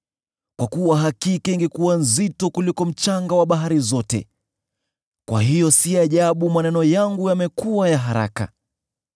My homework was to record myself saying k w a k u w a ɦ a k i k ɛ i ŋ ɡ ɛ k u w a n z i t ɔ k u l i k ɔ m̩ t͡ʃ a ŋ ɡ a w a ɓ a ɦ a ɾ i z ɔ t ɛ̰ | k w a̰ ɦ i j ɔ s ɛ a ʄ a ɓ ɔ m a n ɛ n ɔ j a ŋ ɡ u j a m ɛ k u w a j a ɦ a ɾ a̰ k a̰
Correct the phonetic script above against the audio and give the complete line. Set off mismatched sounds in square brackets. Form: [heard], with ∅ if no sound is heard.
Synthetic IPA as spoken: k w a k u w a ɦ a k i k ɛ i ŋ ɡ ɛ k u w a n z i t ɔ k u l i k ɔ m̩ t͡ʃ a ŋ ɡ a w a ɓ a ɦ a ɾ i z ɔ t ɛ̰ | k w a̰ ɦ i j ɔ s [i] a ʄ a ɓ [u] m a n ɛ n ɔ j a ŋ ɡ u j a m ɛ k u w a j a ɦ a ɾ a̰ k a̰